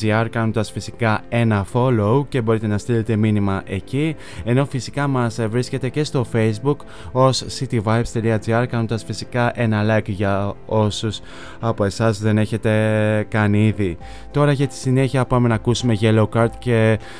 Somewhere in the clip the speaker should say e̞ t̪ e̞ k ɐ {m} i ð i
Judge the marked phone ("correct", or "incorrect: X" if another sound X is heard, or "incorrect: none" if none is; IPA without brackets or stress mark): incorrect: n